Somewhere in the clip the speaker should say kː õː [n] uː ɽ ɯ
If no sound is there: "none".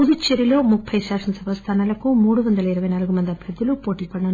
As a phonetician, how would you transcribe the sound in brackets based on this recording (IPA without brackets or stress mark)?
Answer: m